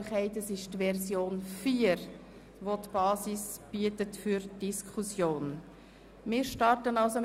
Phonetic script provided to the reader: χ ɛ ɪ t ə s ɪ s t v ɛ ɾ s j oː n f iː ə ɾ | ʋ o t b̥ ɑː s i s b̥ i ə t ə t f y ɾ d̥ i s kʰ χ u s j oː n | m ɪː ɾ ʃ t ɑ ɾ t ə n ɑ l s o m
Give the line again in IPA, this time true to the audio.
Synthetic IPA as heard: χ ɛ ɪ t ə s ɪ ʃ t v ɛ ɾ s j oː n f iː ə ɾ | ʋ o t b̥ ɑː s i s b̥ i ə t ə t f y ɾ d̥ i s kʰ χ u s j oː n | m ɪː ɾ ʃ t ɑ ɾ t ə n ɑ l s o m